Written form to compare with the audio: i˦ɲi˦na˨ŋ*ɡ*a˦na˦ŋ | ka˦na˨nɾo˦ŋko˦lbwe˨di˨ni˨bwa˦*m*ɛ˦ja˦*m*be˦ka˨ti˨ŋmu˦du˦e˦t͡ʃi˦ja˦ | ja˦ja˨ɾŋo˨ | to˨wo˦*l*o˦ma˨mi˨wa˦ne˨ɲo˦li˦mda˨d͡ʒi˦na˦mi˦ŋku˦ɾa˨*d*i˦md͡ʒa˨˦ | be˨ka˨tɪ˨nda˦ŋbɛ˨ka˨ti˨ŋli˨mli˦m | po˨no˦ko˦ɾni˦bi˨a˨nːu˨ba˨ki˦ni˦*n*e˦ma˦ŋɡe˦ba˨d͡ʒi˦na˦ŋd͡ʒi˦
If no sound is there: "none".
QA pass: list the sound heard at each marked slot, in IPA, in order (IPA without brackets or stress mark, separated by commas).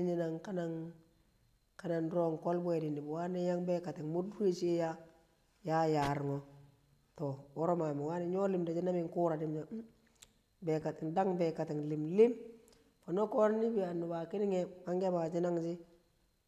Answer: k, n, ŋ, ɾ, d, ŋ